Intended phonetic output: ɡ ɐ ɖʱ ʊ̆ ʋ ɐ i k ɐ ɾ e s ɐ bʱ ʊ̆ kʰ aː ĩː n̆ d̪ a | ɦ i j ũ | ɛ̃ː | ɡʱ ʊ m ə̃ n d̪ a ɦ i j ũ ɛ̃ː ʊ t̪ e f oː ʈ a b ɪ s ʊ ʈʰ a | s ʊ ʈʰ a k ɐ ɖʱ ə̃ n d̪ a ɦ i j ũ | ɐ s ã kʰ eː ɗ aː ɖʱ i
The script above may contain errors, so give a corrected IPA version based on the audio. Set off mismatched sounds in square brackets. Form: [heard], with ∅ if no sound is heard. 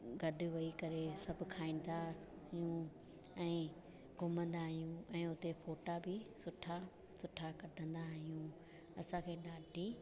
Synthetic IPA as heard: ɡ ɐ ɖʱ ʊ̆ ʋ ɐ i k ɐ ɾ e s ɐ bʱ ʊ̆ kʰ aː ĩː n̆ d̪ a | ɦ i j ũ | ɛ̃ː | ɡʱ ʊ m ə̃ n d̪ a ɦ i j ũ ɛ̃ː ʊ t̪ e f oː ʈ a b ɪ s ʊ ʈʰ a | s ʊ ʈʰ a k ɐ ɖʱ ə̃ n d̪ a ɦ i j ũ | ɐ s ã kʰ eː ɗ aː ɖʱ i